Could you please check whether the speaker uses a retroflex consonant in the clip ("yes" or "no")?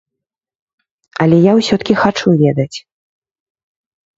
yes